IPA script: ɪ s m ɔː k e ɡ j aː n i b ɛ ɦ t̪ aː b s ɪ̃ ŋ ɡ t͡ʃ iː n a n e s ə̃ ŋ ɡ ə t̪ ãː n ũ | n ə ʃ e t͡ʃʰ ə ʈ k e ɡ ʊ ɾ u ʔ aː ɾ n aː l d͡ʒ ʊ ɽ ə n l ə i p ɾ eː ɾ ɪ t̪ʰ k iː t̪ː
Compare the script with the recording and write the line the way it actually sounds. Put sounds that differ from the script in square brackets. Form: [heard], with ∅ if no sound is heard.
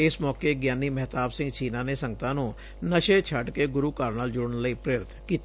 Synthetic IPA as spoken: ɪ s m ɔː k e ɡ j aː n i [m] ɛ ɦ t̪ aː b s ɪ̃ ŋ ɡ t͡ʃ iː n a n e s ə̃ ŋ ɡ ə t̪ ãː n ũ | n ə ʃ e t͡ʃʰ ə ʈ k e ɡ ʊ ɾ u [k] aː ɾ n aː l d͡ʒ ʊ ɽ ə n l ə i p ɾ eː ɾ ɪ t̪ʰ k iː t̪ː